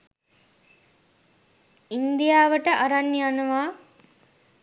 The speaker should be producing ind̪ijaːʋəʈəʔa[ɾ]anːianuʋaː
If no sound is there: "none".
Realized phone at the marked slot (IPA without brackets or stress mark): ɾ